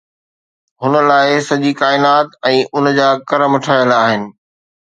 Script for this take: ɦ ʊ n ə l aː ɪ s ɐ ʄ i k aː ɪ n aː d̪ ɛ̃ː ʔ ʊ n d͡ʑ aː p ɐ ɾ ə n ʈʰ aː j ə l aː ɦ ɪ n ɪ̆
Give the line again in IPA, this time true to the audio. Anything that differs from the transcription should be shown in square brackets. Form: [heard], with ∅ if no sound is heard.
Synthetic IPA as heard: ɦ ʊ n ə l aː ɪ s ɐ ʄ i k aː ɪ n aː [t̪] ɛ̃ː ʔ ʊ n d͡ʑ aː [k] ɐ ɾ ə [m] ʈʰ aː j ə l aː ɦ ɪ n ɪ̆